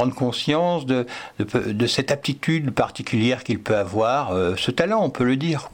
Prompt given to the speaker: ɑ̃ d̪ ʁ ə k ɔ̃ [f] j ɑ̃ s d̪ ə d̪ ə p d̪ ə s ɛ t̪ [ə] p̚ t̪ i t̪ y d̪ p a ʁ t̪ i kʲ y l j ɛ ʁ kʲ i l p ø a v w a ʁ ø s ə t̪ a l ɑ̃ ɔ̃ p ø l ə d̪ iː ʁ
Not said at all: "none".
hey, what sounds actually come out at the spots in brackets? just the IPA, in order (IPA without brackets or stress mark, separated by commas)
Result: s, a